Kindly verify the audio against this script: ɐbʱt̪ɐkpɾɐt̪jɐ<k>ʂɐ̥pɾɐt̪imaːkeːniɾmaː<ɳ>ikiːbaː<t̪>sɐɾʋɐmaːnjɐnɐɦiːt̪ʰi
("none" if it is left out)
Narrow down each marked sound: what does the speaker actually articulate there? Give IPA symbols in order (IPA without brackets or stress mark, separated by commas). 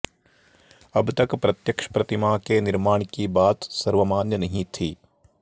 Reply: k, ɳ, t̪